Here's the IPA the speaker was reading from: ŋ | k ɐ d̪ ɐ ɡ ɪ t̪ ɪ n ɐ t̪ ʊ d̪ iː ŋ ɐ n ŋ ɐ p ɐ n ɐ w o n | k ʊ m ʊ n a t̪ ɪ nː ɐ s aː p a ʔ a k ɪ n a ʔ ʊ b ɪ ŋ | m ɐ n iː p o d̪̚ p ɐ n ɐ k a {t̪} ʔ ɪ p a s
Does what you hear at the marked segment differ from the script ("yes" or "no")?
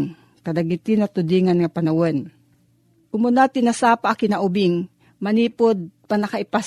yes